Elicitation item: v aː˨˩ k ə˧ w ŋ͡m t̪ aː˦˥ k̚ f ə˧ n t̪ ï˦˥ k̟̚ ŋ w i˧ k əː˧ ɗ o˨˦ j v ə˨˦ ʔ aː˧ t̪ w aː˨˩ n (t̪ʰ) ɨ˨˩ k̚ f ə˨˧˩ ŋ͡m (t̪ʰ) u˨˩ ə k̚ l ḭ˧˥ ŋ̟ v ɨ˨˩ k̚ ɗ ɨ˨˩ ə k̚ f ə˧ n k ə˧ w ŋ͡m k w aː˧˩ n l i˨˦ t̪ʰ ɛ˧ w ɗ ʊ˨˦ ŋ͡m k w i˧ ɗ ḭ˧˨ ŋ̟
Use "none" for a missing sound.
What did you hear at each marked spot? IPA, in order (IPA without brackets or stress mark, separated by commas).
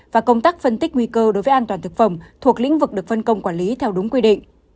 t̪, t̪ʰ